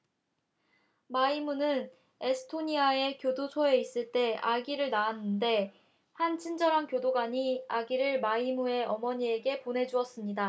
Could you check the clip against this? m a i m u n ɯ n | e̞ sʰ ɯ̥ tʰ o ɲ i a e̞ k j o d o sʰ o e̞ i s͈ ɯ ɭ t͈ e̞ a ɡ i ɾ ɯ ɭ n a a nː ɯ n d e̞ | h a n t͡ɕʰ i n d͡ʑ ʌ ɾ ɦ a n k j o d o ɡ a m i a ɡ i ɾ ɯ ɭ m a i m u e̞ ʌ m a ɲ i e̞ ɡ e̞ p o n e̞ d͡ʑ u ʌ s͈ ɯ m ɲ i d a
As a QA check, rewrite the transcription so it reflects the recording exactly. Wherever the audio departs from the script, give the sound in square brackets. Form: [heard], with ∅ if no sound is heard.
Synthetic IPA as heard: m a i m u n ɯ n | e̞ sʰ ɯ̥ tʰ o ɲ i a e̞ k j o d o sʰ o e̞ i s͈ ɯ ɭ t͈ e̞ a ɡ i ɾ ɯ ɭ n a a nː ɯ n d e̞ | h a n t͡ɕʰ i n d͡ʑ ʌ ɾ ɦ a n k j o d o ɡ a [ɲ] i a ɡ i ɾ ɯ ɭ m a i m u e̞ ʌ m [ʌ] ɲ i e̞ ɡ e̞ p o n e̞ d͡ʑ u ʌ s͈ ɯ m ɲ i d a